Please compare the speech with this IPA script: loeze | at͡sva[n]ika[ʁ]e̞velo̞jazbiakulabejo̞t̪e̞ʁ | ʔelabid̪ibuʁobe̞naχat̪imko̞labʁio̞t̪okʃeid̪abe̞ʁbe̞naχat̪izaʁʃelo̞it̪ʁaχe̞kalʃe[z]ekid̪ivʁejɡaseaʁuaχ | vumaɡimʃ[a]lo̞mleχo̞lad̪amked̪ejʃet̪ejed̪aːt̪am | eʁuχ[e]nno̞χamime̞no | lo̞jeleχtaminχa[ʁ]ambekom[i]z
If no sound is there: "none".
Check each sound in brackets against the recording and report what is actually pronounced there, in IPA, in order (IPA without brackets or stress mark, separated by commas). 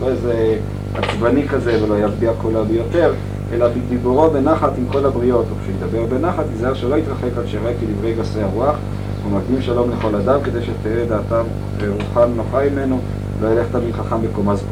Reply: n, z, ʁ, a, a, χ, a